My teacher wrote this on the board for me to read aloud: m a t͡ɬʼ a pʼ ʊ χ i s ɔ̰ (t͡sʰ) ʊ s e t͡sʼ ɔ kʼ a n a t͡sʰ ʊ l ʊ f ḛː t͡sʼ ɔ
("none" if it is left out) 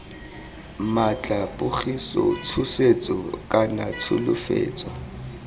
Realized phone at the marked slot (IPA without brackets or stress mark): t͡sʰ